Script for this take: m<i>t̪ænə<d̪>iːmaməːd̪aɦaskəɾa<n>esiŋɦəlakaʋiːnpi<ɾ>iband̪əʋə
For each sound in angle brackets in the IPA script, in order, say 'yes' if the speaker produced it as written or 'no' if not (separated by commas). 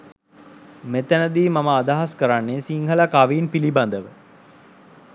no, yes, no, no